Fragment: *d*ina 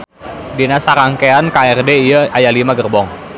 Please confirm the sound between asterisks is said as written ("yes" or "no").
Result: yes